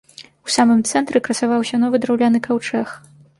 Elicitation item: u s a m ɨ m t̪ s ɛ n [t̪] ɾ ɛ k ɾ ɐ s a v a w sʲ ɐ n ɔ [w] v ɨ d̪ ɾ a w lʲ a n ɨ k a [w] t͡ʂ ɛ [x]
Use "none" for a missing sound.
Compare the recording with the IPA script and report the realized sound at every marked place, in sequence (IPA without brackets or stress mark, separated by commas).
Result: t̪, none, w, x